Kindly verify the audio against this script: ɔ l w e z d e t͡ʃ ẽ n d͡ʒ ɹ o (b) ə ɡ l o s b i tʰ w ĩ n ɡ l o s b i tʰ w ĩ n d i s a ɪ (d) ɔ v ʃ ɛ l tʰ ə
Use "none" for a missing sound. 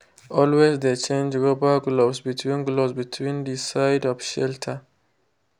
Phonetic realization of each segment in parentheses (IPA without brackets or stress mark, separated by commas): b, d